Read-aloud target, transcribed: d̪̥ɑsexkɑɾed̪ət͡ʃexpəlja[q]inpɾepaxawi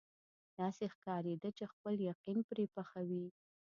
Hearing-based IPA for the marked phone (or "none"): q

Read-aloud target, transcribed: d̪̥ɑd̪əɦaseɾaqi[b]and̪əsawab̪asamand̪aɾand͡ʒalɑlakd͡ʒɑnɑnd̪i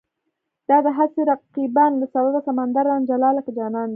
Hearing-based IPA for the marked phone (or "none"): b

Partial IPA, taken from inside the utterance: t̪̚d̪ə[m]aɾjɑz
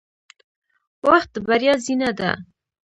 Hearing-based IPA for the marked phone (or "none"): b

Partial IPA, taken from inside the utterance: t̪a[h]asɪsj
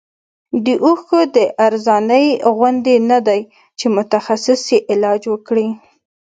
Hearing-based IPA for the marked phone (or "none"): x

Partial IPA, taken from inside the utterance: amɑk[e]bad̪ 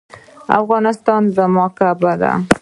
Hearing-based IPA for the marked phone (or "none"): a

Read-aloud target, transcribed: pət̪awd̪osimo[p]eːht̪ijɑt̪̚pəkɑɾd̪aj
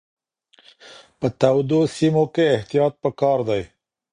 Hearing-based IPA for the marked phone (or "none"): k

